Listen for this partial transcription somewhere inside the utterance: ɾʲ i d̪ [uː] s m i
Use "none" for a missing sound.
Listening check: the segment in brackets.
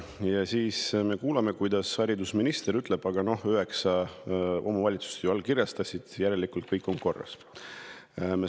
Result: u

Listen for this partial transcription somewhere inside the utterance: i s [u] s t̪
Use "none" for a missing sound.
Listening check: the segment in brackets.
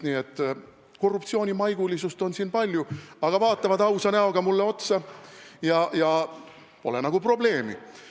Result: u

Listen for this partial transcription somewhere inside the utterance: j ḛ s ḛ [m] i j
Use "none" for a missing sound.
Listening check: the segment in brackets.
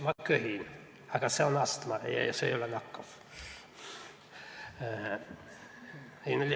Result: none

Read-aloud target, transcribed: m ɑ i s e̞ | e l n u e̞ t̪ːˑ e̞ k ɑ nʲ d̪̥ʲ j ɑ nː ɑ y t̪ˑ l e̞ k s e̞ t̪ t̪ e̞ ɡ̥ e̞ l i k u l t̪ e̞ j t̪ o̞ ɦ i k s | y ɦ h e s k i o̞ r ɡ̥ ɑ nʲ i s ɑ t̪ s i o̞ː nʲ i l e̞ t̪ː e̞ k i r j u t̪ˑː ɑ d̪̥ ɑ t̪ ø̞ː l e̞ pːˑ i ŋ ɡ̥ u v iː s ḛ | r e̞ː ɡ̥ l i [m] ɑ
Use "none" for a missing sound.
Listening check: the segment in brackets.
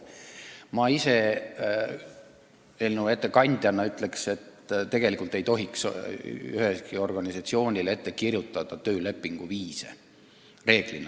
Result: n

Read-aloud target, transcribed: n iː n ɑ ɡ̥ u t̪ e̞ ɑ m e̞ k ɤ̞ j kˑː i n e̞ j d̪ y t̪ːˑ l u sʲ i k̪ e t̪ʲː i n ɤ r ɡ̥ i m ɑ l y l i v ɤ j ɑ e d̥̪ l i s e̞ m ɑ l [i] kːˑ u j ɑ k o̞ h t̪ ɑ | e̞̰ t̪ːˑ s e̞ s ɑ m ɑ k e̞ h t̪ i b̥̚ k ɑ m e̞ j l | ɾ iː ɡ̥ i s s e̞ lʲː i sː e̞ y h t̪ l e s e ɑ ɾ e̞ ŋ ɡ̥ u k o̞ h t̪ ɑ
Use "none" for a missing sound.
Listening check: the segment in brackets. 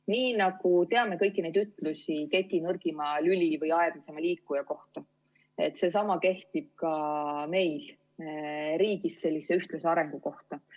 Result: iː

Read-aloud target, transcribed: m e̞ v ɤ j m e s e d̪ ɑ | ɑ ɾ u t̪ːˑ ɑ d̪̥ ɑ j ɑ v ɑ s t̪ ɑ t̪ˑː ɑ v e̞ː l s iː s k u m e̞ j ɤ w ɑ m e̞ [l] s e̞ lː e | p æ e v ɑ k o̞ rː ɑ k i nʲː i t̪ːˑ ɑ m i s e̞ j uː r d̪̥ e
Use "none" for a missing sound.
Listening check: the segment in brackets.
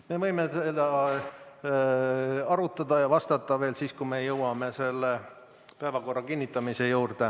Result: none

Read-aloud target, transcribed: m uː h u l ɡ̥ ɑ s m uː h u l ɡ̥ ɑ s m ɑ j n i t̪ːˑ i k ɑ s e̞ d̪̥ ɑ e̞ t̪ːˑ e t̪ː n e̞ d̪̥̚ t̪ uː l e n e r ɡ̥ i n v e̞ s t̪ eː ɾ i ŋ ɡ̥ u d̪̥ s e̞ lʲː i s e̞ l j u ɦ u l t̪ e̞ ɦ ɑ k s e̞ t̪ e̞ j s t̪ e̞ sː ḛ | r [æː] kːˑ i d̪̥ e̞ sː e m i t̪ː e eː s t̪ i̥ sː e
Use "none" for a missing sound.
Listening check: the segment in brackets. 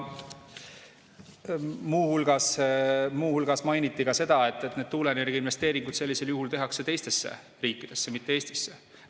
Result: iː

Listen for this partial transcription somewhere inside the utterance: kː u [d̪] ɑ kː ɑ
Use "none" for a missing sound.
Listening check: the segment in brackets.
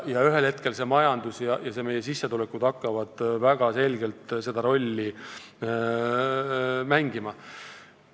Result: d̪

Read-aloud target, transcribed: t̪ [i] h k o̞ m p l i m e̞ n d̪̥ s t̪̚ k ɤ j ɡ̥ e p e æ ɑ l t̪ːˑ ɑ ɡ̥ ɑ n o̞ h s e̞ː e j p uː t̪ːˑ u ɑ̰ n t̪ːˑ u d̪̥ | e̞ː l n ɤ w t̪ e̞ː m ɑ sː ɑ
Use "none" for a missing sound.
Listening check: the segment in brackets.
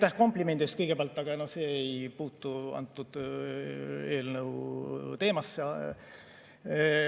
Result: æ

